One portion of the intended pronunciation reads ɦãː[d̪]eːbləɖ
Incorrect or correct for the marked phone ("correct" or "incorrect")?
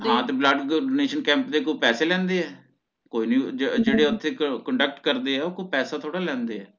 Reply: incorrect